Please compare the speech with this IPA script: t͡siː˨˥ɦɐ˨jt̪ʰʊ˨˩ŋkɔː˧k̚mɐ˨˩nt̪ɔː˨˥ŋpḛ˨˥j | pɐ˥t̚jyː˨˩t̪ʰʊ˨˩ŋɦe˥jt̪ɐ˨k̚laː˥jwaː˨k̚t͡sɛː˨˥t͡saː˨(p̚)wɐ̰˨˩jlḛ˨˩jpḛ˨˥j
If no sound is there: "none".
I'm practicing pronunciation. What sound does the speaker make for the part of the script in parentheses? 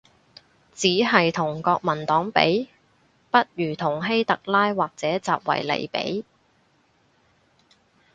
p̚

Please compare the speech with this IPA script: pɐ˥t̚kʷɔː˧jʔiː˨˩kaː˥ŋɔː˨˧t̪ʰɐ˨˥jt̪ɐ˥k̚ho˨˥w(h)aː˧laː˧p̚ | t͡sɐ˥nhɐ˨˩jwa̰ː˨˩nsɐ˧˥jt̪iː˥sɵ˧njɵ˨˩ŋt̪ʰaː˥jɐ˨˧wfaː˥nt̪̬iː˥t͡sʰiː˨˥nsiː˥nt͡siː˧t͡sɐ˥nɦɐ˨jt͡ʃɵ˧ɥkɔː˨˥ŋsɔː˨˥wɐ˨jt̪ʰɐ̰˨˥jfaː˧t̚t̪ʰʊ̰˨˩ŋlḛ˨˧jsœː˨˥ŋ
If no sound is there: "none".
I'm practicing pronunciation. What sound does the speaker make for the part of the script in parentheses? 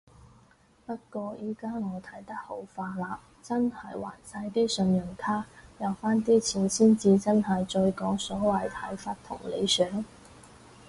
f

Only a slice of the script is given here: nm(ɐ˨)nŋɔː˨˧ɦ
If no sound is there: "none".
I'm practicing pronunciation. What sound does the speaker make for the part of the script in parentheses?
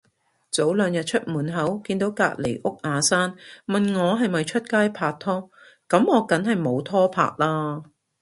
ɐ˨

